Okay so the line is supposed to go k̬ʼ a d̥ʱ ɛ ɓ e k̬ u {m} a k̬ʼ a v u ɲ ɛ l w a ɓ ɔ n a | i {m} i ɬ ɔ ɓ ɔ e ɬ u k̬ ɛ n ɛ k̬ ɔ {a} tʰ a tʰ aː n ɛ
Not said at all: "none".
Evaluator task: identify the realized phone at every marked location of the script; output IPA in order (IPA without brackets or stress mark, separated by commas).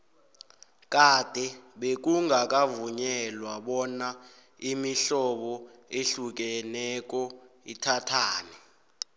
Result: ŋ, m, i